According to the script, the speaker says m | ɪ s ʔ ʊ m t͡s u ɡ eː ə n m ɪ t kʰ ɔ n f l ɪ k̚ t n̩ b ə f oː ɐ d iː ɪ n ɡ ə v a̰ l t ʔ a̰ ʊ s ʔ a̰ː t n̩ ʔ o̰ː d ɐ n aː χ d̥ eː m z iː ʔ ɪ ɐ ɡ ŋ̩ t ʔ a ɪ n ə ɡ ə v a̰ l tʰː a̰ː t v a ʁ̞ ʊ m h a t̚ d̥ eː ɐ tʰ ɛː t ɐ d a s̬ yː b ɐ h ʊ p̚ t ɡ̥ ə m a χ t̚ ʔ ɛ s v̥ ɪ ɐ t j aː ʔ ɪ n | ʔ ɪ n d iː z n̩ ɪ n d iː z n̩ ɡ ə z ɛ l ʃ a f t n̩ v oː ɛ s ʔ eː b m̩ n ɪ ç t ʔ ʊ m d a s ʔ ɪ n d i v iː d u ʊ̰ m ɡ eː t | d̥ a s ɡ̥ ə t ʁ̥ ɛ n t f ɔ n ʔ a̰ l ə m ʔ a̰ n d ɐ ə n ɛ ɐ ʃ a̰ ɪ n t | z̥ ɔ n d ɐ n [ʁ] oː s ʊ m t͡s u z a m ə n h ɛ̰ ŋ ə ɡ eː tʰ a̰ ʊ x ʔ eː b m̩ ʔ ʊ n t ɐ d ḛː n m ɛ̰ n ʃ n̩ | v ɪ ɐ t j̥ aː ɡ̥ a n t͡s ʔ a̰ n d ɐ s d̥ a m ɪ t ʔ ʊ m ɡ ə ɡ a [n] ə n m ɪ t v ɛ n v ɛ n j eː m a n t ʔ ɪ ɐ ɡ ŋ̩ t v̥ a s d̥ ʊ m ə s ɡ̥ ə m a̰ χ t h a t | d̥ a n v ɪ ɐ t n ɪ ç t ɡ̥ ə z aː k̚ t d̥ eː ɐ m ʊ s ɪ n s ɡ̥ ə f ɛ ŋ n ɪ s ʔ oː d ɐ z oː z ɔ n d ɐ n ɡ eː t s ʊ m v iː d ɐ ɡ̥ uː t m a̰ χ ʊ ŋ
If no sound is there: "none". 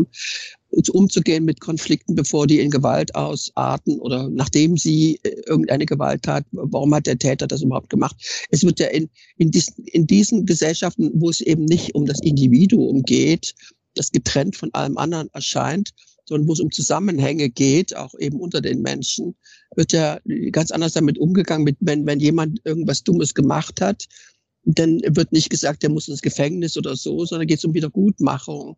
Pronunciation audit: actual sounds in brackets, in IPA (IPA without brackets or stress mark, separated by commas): v, ŋ